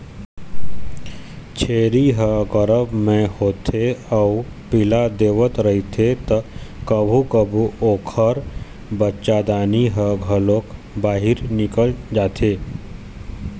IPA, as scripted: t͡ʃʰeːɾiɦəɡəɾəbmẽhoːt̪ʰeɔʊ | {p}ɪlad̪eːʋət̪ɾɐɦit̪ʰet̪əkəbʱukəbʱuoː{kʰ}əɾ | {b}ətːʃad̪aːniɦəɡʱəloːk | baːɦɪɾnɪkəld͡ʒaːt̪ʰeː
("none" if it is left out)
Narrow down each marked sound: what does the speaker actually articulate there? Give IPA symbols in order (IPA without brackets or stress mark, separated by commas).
p, kʰ, b